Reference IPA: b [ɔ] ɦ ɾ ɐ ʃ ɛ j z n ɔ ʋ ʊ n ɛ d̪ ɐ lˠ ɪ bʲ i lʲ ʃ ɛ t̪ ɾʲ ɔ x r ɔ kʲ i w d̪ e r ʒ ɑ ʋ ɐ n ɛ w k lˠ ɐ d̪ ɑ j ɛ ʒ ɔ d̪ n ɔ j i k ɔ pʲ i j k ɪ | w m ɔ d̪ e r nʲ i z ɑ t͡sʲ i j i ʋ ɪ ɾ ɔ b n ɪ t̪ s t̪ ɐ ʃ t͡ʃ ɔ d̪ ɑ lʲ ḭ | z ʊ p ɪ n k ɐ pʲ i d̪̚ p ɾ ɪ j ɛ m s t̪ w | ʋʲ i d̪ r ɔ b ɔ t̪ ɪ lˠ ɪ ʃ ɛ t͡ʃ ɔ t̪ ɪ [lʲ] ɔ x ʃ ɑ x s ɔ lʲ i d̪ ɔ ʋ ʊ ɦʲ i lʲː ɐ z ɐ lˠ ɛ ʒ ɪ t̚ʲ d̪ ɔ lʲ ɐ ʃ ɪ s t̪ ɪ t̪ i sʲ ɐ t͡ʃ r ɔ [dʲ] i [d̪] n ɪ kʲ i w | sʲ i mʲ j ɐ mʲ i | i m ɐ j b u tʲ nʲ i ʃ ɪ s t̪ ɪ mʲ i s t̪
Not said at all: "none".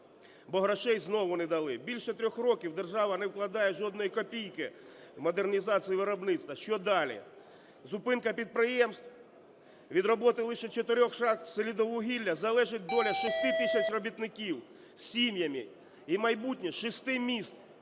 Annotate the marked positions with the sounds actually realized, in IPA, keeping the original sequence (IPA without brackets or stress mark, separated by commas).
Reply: ɔ, ɾʲ, bʲ, t̪